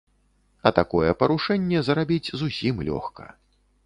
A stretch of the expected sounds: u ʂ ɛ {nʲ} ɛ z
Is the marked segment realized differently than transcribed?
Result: yes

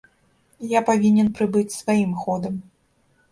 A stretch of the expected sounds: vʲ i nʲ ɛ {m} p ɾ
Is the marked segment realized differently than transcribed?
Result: yes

